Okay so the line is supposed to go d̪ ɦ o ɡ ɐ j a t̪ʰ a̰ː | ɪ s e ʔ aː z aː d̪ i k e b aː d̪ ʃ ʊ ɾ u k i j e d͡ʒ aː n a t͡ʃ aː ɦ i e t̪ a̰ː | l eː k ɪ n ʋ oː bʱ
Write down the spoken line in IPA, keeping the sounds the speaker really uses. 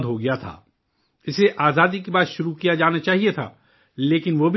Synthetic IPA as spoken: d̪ ɦ o ɡ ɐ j a t̪ʰ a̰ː | ɪ s e ʔ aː z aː d̪ i k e b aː t̪ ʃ ʊ ɾ u k i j a d͡ʒ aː n a t͡ʃ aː ɦ i e t̪ʰ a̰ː | l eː k ɪ n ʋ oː bʱ